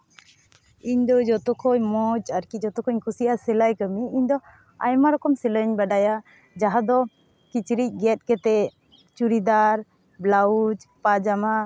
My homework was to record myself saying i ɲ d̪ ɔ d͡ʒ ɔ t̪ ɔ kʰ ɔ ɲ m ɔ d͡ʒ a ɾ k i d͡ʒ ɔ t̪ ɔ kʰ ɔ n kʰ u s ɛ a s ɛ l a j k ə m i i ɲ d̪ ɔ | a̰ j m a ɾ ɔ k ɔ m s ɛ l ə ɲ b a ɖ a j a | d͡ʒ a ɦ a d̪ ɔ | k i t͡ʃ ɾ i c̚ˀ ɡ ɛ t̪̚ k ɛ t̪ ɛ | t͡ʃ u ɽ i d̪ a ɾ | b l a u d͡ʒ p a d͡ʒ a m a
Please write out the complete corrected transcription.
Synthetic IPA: i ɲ d̪ ɔ d͡ʒ ɔ t̪ ɔ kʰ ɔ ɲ m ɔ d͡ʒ a ɾ k i d͡ʒ ɔ t̪ ɔ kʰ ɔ ɲ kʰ u s i a s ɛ l a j k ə m i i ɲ d̪ ɔ | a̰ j m a ɾ ɔ k ɔ m s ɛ l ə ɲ b a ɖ a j a | d͡ʒ a ɦ a d̪ ɔ | k i t͡ʃ ɾ i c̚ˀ ɡ ɛ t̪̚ k ɛ t̪ ɛ | t͡ʃ u ɾ i d̪ a ɾ | b l a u d͡ʒ p a d͡ʒ a m a